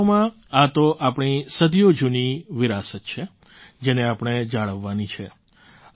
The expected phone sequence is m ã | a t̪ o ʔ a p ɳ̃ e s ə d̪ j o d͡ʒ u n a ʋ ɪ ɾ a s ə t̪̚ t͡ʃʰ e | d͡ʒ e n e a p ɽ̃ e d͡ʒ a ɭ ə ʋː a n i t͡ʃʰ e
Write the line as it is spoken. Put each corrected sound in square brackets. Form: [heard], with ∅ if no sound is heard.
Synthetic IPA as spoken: m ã | a t̪ o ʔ a p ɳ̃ [i] s ə d̪ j o d͡ʒ u n [i] ʋ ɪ ɾ a s ə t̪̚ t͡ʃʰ e | d͡ʒ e n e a p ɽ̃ e d͡ʒ a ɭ ə ʋː a n i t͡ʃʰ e